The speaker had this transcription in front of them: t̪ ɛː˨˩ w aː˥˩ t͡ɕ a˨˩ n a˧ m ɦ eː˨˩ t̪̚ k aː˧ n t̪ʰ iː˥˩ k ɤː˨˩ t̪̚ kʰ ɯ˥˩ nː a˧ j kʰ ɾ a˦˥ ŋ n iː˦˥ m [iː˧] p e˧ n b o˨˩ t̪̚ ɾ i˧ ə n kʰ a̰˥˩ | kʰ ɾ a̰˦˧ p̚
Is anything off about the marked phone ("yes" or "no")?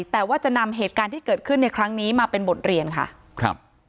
yes